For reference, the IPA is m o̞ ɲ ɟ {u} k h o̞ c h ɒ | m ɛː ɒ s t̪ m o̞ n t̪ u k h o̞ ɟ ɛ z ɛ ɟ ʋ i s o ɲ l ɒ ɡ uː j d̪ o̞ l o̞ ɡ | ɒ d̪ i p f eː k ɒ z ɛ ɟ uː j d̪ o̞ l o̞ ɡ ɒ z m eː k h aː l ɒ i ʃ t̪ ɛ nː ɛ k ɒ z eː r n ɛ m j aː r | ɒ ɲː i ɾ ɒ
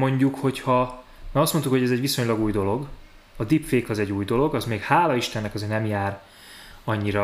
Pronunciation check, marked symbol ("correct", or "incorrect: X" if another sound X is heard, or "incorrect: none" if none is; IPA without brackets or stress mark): correct